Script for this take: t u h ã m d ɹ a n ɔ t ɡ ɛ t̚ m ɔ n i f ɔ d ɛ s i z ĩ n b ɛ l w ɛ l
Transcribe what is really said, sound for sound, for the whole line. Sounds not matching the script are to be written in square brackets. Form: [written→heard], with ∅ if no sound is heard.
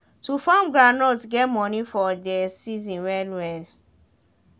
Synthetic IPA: t u [h→f] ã m [d→ɡ] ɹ a n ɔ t ɡ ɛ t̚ m ɔ n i f ɔ d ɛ s i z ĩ n [b→w] ɛ l w ɛ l